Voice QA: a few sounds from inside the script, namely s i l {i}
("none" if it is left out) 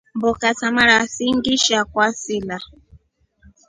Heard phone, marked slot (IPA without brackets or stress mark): a